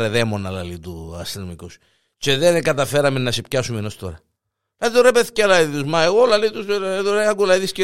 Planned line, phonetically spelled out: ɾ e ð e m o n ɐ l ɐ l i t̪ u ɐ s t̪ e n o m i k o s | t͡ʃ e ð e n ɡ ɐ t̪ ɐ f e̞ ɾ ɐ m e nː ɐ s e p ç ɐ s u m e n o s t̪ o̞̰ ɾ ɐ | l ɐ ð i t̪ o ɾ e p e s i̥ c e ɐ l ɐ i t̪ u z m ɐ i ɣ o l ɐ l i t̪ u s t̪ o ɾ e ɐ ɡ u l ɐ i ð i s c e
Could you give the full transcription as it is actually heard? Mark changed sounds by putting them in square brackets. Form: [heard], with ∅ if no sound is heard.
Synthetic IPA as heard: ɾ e ð e m o n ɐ l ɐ l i t̪ u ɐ s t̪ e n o m i k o s | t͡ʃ e ð e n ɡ ɐ t̪ ɐ f e̞ ɾ ɐ m e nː ɐ s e p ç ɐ s u m e n o s t̪ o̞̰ ɾ ɐ | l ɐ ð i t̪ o ɾ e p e [θ] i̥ c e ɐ l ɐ i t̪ u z m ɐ [e] ɣ o l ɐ l i t̪ u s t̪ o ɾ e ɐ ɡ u l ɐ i ð i s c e